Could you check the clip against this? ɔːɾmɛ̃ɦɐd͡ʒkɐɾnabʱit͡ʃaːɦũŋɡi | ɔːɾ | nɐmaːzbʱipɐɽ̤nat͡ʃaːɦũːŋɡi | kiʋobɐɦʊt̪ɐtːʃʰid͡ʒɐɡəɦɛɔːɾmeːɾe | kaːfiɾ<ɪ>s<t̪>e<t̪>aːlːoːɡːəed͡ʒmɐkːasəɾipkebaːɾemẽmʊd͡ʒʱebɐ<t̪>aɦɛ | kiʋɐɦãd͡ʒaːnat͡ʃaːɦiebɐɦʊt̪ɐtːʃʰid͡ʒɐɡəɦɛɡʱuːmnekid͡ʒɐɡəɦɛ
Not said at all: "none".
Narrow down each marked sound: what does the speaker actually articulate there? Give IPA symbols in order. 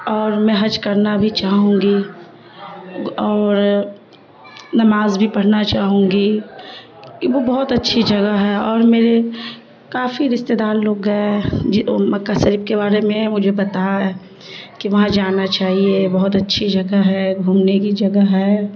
ɪ, t̪, d̪, t̪

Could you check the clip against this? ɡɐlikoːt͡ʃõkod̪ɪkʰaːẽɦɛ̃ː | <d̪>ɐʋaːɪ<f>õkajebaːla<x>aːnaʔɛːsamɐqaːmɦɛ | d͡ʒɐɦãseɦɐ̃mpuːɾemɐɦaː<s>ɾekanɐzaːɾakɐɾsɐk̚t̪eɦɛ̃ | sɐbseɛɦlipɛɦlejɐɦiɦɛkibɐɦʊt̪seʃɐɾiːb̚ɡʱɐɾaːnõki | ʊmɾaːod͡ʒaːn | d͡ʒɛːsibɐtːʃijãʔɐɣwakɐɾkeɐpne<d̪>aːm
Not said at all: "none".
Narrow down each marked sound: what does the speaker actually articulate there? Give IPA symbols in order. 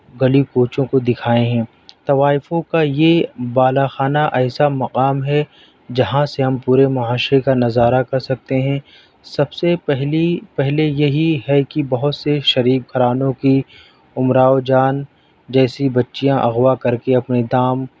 t̪, f, x, ʃ, d̪

